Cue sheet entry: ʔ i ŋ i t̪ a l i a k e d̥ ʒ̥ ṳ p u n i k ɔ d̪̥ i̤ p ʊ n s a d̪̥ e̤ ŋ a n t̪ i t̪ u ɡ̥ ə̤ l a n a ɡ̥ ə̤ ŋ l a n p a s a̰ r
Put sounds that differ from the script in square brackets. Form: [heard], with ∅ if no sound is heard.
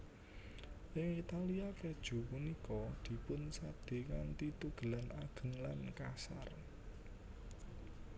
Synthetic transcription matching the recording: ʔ [ɪ] ŋ i t̪ a l i a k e d̥ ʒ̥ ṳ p u n i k ɔ d̪̥ i̤ p ʊ n s a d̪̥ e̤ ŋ a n t̪ i t̪ u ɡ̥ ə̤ l a n a ɡ̥ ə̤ ŋ l a n [k] a s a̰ r